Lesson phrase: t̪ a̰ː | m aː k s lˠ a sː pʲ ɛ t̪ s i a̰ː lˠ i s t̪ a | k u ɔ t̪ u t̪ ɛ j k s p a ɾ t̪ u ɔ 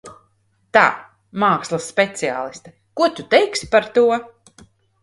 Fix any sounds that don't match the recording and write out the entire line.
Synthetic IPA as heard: t̪ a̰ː | m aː k s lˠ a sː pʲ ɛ t̪ s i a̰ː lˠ i s t̪ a | k u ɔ t̪ u t̪ ɛ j k s p a ɾ t̪ u ɔ